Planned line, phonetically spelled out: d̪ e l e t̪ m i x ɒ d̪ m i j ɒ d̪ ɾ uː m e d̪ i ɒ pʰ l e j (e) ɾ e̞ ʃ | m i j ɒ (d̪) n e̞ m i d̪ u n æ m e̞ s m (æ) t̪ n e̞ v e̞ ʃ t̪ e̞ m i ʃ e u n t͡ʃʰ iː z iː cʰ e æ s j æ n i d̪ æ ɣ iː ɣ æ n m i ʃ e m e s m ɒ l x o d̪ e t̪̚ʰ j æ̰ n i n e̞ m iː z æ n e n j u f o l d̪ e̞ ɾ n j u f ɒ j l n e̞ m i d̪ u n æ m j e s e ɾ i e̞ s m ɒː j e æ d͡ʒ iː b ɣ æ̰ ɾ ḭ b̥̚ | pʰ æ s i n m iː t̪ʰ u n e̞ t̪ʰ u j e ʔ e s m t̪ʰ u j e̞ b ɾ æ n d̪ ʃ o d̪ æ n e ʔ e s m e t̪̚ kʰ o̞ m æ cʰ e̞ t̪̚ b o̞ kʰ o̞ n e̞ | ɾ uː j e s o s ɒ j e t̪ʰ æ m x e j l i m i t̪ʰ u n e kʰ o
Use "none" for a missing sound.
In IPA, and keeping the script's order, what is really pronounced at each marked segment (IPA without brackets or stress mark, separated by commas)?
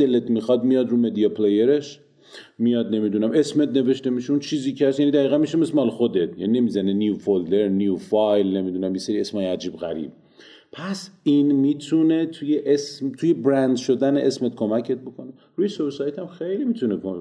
e, d̪, e